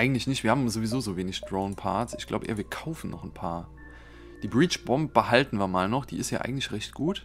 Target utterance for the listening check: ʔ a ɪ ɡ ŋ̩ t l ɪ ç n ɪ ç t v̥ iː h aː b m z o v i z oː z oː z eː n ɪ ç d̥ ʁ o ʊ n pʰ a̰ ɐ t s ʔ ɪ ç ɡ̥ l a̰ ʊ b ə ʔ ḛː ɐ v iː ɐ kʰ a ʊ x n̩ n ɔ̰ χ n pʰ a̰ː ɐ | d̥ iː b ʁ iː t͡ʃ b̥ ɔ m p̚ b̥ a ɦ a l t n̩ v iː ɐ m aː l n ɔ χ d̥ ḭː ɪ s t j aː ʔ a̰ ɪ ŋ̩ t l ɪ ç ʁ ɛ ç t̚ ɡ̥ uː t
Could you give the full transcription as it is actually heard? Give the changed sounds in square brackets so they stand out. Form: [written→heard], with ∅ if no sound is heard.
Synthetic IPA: ʔ a ɪ ɡ ŋ̩ t l ɪ ç n ɪ ç t v̥ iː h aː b m z o v i z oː z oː [z→v] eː n ɪ ç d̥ ʁ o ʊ n pʰ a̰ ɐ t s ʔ ɪ ç ɡ̥ l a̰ ʊ b ə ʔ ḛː ɐ v iː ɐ kʰ a ʊ [x→f] n̩ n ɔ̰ χ n pʰ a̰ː ɐ | d̥ iː b ʁ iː t͡ʃ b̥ ɔ m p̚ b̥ [a→ə] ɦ a l t n̩ v iː ɐ m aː l n ɔ χ d̥ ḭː ɪ s t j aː ʔ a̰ ɪ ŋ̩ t l ɪ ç ʁ ɛ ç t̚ ɡ̥ uː t